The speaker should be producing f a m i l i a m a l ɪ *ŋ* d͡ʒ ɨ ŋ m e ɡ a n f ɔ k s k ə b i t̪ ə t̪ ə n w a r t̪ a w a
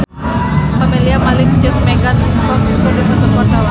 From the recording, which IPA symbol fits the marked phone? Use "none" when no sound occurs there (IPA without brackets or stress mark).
ŋ